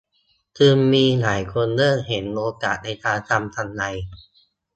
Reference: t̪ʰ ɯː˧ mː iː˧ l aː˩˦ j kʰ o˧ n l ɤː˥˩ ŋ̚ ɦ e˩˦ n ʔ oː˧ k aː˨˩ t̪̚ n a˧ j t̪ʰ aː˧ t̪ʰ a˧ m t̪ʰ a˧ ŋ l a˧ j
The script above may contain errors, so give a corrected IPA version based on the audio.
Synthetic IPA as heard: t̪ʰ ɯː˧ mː iː˧ l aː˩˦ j kʰ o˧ n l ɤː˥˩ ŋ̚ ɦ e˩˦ n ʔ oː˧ k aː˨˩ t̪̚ n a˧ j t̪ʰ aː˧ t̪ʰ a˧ m t̪ʰ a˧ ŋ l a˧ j